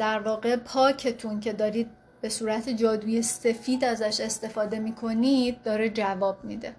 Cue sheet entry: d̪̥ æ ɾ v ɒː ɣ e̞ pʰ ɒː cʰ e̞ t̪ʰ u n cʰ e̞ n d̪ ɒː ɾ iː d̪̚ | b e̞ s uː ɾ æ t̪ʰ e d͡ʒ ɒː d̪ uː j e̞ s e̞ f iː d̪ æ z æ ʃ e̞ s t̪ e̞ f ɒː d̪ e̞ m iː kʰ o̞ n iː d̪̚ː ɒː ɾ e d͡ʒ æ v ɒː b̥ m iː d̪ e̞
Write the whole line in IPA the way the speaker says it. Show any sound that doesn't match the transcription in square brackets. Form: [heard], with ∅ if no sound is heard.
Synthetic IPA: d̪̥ æ ɾ v ɒː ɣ e̞ pʰ ɒː cʰ e̞ t̪ʰ u n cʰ e̞ [∅] d̪ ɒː ɾ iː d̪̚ | b e̞ s uː ɾ æ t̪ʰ e d͡ʒ ɒː d̪ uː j e̞ s e̞ f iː d̪ æ z æ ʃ e̞ s t̪ e̞ f ɒː d̪ e̞ m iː kʰ o̞ n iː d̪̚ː ɒː ɾ e d͡ʒ æ v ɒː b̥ m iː d̪ e̞